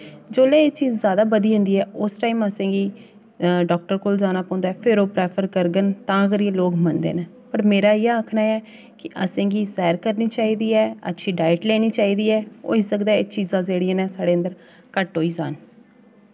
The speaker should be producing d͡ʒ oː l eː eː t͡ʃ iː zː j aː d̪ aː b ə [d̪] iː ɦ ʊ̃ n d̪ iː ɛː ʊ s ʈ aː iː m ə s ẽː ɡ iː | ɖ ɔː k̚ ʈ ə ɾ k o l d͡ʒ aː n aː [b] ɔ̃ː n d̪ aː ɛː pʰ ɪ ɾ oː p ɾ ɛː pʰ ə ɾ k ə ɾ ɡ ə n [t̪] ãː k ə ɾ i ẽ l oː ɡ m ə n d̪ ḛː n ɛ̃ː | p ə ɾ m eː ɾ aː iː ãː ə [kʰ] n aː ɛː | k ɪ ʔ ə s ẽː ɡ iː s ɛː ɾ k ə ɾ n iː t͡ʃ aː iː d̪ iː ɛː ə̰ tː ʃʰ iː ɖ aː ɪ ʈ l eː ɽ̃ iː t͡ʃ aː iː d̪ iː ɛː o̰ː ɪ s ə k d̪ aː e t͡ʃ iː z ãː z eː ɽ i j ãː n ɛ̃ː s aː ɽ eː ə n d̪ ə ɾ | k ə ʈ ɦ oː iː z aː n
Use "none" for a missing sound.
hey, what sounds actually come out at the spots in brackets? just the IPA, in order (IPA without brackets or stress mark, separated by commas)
d̪, p, t̪, kʰ